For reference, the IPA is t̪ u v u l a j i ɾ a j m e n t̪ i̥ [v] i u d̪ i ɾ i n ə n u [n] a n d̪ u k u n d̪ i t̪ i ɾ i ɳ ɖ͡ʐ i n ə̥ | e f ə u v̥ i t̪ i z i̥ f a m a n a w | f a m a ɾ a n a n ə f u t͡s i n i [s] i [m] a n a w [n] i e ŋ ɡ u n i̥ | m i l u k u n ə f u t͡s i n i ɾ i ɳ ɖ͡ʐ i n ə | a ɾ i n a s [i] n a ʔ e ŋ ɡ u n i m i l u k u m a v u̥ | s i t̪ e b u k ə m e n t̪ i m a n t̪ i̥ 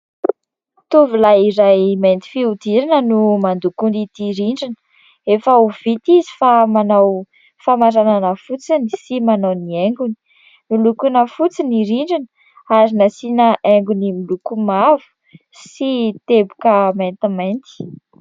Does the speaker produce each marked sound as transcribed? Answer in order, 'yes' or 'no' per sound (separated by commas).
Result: no, no, yes, yes, yes, yes